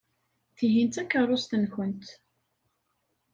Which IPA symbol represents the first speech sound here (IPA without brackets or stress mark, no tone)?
θ